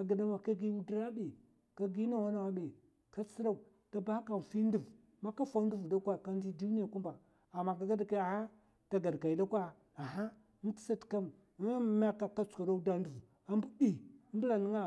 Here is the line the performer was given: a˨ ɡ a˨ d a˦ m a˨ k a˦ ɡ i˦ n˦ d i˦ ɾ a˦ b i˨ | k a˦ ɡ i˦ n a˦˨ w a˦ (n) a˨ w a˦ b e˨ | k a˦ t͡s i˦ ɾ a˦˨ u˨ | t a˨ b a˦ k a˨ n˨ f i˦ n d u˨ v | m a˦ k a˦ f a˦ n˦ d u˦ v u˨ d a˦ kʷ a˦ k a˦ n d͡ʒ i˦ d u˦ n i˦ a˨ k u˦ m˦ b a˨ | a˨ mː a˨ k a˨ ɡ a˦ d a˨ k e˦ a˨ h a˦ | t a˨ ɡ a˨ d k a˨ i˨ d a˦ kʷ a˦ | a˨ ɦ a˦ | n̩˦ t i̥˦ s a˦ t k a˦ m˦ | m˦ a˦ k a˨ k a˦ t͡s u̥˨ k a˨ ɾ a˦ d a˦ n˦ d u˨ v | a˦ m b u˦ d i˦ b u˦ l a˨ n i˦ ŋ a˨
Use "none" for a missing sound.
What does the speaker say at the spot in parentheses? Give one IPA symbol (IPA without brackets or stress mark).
n